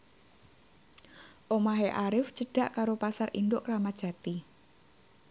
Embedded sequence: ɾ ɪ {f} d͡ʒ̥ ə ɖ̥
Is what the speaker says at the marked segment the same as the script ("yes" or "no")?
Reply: yes